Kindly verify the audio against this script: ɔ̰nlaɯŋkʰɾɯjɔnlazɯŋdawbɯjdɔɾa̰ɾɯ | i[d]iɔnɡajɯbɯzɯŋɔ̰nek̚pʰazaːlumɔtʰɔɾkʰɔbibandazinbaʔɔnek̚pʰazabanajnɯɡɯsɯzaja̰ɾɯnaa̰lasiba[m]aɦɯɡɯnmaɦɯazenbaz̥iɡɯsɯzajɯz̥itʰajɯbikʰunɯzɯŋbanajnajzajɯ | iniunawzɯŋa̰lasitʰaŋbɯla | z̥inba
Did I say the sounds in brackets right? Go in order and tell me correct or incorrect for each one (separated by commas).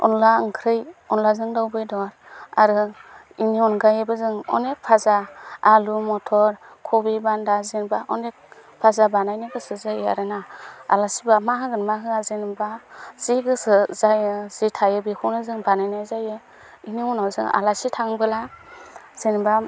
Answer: incorrect, correct